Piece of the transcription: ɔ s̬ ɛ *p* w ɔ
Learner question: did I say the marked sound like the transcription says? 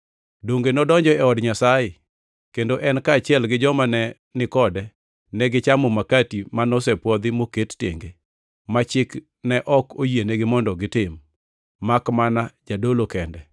yes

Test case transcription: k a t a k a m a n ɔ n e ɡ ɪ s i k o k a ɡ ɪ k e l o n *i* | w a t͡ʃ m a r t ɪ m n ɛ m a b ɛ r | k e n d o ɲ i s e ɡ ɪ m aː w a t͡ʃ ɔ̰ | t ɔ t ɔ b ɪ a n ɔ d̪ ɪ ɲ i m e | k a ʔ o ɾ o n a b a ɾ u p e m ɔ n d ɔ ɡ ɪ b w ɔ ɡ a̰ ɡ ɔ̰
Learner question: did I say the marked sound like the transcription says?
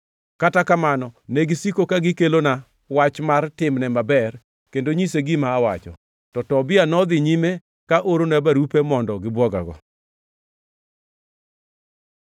no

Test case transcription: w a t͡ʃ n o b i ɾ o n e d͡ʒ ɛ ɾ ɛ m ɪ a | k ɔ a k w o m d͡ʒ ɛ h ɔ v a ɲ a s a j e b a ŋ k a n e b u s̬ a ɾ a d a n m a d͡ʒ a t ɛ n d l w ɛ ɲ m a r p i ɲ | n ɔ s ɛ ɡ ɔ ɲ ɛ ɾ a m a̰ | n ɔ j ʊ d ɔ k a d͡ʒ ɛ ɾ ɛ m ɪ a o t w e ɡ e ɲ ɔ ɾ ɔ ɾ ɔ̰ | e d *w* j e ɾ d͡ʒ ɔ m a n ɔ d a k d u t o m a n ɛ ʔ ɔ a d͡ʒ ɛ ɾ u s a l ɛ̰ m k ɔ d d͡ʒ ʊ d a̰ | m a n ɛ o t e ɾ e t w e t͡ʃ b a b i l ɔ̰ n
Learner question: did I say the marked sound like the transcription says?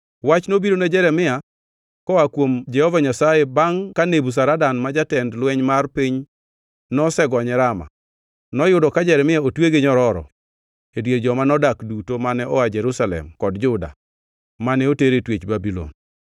yes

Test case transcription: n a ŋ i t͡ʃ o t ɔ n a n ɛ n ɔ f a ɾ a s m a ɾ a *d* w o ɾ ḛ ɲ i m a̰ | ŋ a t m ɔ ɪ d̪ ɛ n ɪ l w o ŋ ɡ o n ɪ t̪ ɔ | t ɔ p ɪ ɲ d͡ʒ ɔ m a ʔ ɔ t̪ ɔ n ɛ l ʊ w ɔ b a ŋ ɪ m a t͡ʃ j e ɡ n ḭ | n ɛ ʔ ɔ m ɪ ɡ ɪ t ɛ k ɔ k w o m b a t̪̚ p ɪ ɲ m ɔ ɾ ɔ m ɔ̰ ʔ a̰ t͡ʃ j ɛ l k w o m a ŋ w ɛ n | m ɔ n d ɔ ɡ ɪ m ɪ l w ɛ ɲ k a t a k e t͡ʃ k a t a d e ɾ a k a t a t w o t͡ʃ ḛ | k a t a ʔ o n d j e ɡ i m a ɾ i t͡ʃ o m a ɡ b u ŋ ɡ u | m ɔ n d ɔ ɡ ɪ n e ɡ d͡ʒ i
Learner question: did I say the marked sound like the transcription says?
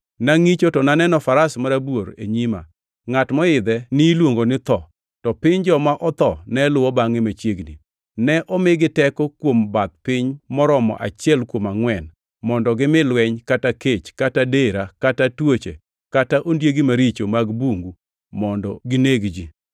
no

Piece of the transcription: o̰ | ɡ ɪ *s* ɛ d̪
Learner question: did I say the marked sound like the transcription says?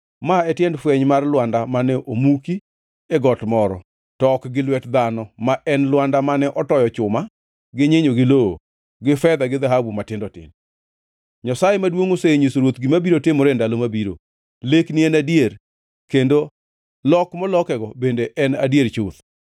no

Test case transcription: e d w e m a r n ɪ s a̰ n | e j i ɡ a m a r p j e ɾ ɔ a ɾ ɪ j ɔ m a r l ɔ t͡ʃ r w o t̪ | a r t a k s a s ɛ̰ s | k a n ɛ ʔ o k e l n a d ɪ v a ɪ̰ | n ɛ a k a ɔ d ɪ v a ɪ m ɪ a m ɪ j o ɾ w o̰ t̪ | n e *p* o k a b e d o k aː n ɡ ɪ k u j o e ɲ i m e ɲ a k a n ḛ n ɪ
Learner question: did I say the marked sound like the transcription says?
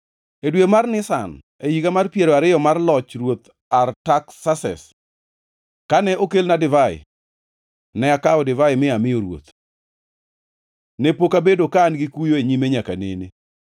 yes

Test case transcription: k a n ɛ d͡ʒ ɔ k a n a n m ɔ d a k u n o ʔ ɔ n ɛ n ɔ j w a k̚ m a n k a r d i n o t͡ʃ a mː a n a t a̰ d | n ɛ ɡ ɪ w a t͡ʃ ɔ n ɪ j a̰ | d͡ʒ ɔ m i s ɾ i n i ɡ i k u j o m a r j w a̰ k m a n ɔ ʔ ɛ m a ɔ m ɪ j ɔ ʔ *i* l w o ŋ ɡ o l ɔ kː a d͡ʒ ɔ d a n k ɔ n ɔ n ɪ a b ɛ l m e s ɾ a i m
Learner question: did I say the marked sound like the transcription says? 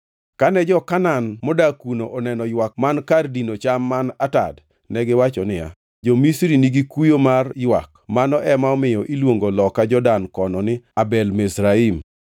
yes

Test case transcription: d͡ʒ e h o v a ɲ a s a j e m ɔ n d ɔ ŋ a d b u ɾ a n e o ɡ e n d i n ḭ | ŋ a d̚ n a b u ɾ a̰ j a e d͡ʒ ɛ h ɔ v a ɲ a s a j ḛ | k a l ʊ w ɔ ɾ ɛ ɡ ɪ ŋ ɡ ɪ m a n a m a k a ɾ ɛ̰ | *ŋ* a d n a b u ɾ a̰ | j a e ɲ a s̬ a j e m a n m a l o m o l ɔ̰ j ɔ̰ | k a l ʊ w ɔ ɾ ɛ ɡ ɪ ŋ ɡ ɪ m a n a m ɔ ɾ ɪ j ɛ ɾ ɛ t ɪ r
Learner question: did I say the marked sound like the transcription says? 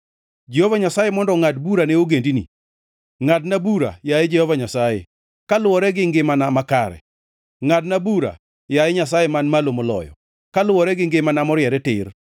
yes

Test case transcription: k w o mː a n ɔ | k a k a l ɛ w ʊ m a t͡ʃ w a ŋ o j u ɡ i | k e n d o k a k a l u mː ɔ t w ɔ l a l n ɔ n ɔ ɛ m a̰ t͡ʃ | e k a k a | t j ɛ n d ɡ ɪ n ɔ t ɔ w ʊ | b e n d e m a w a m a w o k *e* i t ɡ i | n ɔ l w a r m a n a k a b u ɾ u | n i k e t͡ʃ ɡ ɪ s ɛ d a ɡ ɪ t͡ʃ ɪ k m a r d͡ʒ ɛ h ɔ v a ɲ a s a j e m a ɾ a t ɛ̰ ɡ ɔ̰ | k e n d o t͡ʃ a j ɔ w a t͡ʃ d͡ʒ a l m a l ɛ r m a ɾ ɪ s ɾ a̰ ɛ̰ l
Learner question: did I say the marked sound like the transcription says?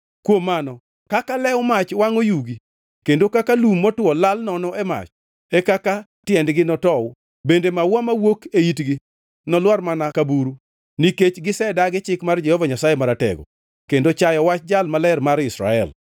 yes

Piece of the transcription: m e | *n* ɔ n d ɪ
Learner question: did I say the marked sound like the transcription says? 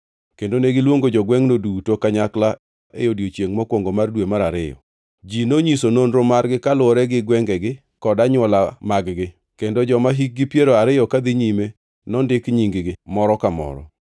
yes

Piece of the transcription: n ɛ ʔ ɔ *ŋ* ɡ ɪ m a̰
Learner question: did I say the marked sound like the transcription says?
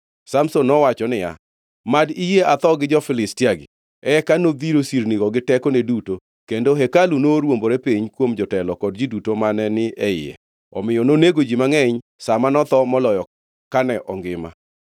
yes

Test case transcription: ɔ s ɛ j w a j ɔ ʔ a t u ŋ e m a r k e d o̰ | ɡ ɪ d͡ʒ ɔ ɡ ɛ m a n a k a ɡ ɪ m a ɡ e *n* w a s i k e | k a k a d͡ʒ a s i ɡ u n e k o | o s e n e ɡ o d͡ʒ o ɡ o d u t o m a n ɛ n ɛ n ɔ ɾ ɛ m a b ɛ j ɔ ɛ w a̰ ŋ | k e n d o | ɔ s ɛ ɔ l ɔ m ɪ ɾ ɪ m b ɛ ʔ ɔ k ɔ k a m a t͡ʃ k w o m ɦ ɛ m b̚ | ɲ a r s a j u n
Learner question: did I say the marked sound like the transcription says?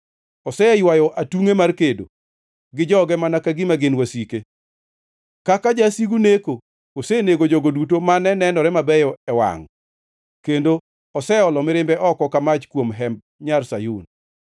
yes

